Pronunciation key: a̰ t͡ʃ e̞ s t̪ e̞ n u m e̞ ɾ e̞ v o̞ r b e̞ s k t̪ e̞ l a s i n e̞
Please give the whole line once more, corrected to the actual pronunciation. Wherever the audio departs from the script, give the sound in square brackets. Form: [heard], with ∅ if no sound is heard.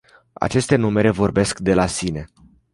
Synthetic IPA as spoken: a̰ t͡ʃ e̞ s t̪ e̞ n u m e̞ ɾ e̞ v o̞ r b e̞ s k [d̪] e̞ l a s i n e̞